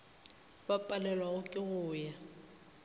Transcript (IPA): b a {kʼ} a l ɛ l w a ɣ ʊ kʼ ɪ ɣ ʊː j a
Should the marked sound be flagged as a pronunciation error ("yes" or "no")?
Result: yes